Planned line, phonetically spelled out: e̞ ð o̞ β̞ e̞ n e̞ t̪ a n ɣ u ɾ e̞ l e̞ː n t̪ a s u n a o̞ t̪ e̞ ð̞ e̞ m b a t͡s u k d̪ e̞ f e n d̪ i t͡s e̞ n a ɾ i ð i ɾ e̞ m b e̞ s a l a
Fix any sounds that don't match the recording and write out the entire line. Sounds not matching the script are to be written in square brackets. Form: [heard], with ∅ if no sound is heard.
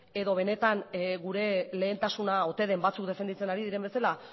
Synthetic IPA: e̞ ð o̞ β̞ e̞ n e̞ t̪ a n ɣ u ɾ e̞ l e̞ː n t̪ a s u n a o̞ t̪ e̞ ð̞ e̞ m b a t͡s u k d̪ e̞ f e n d̪ i t͡s e̞ n a ɾ i ð i ɾ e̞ m b e̞ s a l a